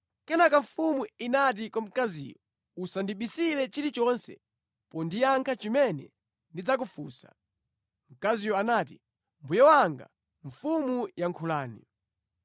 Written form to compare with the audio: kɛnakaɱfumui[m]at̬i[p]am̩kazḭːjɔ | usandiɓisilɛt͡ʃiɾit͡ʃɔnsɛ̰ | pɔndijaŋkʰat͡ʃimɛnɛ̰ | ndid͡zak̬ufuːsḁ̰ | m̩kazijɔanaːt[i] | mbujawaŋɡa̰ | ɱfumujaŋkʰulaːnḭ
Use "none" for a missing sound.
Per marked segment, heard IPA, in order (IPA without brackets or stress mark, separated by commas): n, k, i